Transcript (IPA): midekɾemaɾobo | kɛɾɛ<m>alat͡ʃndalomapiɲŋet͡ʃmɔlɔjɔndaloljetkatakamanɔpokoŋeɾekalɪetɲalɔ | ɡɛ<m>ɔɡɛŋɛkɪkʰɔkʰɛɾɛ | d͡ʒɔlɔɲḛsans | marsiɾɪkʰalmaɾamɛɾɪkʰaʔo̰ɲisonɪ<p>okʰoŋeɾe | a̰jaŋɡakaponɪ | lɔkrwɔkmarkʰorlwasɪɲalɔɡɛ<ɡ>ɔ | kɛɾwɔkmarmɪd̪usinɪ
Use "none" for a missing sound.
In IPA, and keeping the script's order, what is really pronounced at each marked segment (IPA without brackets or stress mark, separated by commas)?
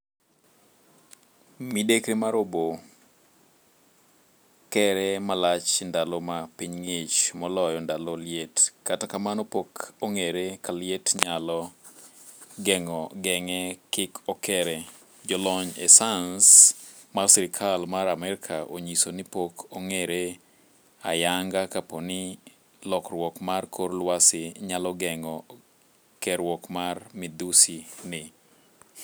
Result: m, ŋ, p, ŋ